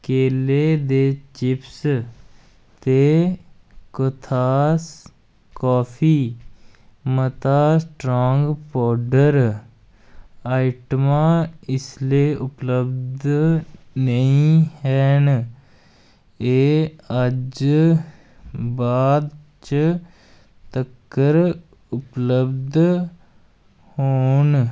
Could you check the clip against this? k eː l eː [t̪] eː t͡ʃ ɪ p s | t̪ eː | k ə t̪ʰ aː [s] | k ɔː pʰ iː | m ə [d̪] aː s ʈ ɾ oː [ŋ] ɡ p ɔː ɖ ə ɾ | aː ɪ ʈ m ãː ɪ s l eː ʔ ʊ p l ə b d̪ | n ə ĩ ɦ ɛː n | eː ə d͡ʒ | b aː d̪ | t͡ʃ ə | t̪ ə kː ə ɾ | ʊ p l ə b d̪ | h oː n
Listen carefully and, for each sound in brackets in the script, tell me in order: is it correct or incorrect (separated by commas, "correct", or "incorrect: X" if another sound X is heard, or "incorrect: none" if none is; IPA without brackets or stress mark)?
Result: incorrect: d̪, correct, incorrect: t̪, correct